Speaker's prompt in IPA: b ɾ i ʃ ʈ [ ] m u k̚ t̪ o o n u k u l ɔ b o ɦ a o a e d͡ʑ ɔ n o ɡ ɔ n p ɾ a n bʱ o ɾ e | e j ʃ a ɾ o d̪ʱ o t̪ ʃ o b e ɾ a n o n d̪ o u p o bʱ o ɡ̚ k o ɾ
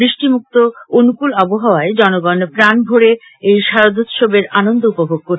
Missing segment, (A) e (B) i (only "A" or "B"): B